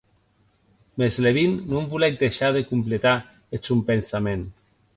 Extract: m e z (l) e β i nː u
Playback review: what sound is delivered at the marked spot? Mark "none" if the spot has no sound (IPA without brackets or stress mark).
l